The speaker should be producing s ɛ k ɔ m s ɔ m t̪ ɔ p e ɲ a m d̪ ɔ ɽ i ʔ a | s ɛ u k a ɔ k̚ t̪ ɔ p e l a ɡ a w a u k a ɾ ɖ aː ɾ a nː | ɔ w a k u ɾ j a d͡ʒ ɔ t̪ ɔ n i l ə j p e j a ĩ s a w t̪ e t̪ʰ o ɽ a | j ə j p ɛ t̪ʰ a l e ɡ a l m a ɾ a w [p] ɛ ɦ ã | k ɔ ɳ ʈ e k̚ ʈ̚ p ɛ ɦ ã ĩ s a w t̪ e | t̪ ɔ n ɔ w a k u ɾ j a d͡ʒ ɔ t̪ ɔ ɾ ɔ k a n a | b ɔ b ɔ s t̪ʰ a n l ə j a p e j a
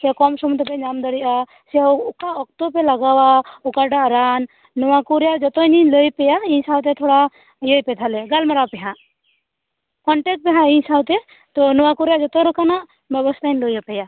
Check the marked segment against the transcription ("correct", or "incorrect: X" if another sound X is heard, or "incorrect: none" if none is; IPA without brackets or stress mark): correct